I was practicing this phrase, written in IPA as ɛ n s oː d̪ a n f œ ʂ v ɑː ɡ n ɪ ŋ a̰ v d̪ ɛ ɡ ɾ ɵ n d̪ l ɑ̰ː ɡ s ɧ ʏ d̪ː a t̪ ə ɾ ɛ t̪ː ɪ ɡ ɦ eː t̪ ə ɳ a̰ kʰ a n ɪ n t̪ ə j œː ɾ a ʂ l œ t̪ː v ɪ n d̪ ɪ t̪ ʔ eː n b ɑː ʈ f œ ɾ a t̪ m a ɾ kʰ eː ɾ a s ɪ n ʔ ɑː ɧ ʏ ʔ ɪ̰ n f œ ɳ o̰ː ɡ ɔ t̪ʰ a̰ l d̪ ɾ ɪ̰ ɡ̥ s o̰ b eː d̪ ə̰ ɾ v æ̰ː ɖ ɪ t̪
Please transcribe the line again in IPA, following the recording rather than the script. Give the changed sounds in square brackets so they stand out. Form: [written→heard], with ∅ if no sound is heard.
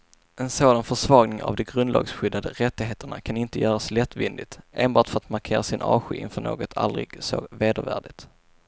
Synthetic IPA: ɛ n s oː d̪ a n f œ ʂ v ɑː ɡ n ɪ ŋ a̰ v d̪ ɛ ɡ ɾ ɵ n d̪ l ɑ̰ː ɡ s ɧ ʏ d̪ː a [t̪→d̪] ə ɾ ɛ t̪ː ɪ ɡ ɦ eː t̪ ə ɳ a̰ kʰ a n ɪ n t̪ ə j œː ɾ a [ʂ→s] l [œ→ɛ] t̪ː v ɪ n d̪ ɪ t̪ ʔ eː n b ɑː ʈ f œ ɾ a t̪ m a ɾ kʰ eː ɾ a s ɪ n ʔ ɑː ɧ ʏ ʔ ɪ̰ n f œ ɳ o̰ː ɡ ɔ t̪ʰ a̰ l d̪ ɾ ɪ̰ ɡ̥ s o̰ [b→v] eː d̪ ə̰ ɾ v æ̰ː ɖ ɪ t̪